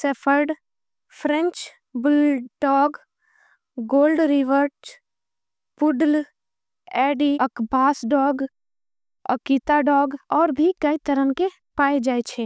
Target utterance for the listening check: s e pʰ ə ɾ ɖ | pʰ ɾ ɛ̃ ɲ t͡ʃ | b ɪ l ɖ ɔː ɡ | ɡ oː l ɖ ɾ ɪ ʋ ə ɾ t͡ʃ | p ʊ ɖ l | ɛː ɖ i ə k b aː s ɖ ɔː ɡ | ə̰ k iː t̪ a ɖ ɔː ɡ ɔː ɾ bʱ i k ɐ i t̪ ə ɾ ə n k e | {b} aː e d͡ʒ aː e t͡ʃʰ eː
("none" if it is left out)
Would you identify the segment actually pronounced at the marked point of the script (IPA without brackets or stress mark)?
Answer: p